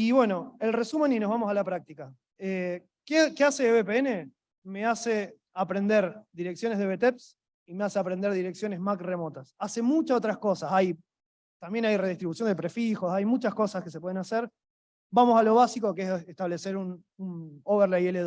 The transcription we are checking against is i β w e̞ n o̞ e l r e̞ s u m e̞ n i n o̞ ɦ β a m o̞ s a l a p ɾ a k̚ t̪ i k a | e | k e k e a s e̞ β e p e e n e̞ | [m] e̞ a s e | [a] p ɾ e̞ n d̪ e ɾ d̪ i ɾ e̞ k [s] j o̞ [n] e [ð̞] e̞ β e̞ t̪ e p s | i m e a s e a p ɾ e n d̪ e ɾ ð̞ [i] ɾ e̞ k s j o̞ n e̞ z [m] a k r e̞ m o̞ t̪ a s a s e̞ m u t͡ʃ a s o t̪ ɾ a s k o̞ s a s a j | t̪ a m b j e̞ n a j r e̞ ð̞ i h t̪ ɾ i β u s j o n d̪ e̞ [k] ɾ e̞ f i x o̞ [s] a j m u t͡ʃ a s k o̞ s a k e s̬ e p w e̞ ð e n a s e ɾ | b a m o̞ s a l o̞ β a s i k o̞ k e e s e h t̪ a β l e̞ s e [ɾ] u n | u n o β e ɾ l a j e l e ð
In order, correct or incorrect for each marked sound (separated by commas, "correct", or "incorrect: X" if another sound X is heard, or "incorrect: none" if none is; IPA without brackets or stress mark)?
correct, correct, correct, correct, correct, correct, correct, incorrect: p, correct, correct